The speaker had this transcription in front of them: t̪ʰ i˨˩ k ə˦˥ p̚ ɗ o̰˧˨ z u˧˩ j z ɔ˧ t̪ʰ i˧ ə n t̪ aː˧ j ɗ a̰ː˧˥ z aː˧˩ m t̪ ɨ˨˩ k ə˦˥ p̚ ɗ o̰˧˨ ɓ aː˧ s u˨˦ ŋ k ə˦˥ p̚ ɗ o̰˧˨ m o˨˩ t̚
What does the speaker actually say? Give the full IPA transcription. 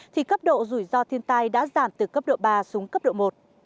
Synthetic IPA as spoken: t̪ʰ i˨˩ k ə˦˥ p̚ ɗ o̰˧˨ z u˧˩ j z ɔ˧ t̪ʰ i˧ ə n t̪ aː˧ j ɗ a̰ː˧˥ z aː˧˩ m t̪ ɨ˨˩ k ə˦˥ p̚ ɗ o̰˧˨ ɓ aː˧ s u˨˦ ŋ k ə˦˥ p̚ ɗ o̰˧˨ m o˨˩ t̚